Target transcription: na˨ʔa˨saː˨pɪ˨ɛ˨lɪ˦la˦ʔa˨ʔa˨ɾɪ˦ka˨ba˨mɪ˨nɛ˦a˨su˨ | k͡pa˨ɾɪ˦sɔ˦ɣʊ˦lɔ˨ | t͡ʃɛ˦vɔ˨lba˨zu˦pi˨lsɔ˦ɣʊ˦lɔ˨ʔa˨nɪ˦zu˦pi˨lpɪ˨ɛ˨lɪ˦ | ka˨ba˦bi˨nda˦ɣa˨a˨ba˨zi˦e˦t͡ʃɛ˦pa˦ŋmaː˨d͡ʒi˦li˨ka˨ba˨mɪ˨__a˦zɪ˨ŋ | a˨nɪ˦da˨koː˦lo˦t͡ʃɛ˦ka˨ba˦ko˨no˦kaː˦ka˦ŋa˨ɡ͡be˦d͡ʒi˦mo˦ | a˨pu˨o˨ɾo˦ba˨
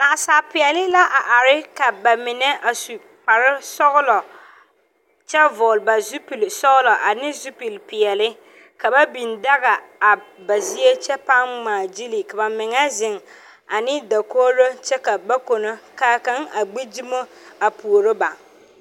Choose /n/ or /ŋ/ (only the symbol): ŋ